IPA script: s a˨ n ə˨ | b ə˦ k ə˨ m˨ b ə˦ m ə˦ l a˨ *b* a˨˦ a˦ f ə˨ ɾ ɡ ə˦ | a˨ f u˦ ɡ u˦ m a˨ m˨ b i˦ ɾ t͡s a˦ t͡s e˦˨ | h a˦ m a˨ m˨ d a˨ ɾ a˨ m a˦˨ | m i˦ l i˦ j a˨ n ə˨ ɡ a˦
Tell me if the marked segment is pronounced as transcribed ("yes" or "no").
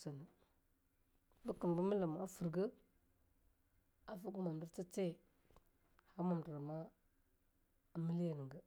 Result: no